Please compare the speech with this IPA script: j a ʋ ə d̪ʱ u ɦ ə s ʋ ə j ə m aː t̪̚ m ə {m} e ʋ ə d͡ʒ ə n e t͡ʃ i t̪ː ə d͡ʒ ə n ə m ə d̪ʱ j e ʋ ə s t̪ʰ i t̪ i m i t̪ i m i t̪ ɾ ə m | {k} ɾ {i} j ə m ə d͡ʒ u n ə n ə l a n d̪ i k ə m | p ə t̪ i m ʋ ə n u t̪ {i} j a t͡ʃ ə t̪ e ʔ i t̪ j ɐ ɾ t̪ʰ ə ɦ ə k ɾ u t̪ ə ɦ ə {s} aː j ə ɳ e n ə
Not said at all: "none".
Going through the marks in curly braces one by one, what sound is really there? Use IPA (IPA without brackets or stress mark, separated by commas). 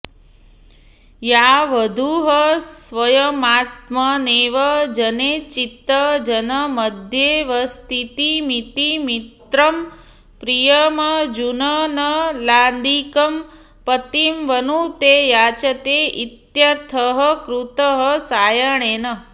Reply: n, p, i, e, s